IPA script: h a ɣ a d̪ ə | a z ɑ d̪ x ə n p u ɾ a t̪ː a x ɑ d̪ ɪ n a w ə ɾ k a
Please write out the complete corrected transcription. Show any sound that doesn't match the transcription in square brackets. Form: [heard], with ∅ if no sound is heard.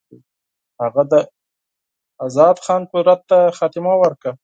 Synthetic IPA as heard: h a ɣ a d̪ ə | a z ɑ d̪ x [ɑ] n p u ɾ a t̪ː a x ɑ [t̪] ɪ [m] a w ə ɾ k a